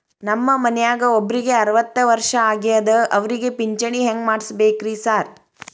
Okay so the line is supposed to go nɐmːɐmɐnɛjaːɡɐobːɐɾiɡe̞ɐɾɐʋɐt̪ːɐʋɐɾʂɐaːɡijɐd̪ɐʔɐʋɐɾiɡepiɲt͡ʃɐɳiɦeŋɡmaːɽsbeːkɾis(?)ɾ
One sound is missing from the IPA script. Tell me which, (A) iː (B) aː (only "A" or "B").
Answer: B